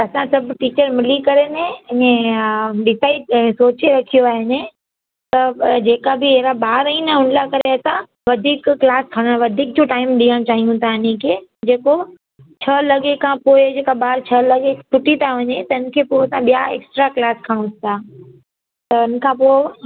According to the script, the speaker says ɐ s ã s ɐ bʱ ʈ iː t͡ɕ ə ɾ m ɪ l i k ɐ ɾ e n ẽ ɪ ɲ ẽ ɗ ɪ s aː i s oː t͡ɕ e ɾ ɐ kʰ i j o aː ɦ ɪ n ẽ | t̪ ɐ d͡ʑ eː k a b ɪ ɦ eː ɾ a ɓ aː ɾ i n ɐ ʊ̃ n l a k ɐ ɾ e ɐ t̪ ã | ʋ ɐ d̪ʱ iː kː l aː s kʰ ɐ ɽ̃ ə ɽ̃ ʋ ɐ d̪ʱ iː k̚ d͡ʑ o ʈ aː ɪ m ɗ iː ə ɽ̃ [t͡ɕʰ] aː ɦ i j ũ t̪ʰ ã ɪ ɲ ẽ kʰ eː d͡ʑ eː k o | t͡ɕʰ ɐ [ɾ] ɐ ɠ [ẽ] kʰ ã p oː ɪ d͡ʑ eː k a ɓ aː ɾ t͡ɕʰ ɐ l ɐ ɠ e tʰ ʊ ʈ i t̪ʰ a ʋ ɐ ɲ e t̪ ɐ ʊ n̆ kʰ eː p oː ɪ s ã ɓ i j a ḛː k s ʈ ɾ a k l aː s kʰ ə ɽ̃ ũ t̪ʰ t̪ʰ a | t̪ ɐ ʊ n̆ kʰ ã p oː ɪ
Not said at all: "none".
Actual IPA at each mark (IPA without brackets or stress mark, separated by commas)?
t͡ɕ, l, e